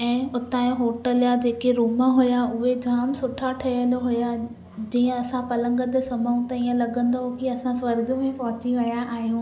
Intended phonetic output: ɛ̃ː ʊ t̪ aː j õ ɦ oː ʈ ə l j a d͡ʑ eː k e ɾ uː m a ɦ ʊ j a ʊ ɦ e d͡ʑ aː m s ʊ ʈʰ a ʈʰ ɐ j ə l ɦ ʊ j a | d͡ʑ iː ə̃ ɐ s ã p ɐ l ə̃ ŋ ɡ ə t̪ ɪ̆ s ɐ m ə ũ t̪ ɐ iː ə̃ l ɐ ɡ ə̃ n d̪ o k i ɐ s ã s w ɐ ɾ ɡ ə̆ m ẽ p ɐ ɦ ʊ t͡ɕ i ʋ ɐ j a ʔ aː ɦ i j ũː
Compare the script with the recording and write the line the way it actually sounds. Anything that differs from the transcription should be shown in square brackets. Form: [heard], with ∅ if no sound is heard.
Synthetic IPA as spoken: ɛ̃ː ʊ t̪ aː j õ ɦ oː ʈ ə l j a d͡ʑ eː k e ɾ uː m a ɦ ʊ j a ʊ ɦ e d͡ʑ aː m s ʊ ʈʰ a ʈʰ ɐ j ə l ɦ ʊ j a | d͡ʑ iː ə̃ ɐ s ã p ɐ l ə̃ ŋ ɡ ə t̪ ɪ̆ s ɐ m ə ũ t̪ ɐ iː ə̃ l ɐ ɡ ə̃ n d̪ o k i ɐ s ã s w ɐ ɾ ɡ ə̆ m ẽ p ɐ ɦ ʊ t͡ɕ i ʋ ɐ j a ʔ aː ɦ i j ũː